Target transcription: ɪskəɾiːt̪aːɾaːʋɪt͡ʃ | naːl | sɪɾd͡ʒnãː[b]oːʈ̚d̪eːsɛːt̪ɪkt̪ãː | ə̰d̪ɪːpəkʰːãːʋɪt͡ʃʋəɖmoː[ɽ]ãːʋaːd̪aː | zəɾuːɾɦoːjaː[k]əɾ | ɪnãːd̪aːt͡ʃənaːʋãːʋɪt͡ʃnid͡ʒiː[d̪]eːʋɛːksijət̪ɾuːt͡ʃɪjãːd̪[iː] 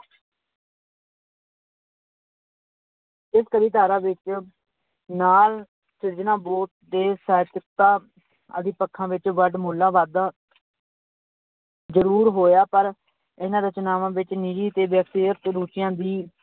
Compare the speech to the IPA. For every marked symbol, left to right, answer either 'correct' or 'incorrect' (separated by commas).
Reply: correct, incorrect, incorrect, incorrect, correct